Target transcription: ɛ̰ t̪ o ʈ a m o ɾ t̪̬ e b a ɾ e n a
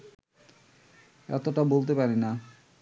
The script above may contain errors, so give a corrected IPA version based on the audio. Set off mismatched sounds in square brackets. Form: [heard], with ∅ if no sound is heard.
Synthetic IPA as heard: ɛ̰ t̪ o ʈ a [b] o [l] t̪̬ e [p] a ɾ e n a

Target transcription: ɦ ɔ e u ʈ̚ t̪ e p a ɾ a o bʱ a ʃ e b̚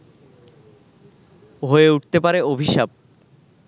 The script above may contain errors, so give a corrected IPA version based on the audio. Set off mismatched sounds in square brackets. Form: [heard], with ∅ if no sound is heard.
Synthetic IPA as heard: ɦ [o] e u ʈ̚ t̪ e p a ɾ [e] o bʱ [i] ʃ [a] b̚

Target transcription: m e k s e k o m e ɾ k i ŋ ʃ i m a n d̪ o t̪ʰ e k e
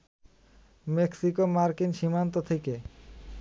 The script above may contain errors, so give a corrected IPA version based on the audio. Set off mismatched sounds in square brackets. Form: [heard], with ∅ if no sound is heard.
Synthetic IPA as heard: m e k s [i] k o m [a] ɾ k i [n] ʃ i m a n [t̪] o t̪ʰ e k e

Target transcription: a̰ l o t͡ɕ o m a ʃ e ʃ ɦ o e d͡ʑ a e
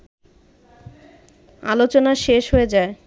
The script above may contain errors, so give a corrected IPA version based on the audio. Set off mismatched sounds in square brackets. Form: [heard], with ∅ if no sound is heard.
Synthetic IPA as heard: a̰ l o t͡ɕ o [n] a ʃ e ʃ ɦ o e d͡ʑ a e

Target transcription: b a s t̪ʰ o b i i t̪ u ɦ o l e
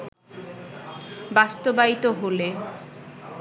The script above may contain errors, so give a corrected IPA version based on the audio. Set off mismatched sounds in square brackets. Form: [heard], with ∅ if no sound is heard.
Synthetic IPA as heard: b a s [t̪] o b [a] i t̪ [o] ɦ o l e

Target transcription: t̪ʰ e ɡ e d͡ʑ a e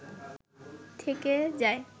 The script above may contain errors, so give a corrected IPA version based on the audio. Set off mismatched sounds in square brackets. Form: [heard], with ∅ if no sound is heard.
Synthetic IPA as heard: t̪ʰ e [k] e d͡ʑ a e

